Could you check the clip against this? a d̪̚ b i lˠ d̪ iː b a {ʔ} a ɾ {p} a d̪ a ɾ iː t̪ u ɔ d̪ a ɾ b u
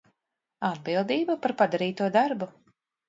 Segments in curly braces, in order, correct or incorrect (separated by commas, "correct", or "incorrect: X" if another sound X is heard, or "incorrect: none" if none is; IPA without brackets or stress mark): incorrect: p, correct